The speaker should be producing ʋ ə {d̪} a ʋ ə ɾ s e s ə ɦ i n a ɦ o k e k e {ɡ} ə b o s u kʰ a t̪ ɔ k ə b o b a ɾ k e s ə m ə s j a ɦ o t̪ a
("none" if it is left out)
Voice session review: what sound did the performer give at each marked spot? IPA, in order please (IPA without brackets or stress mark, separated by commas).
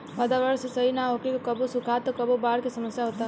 d̪, k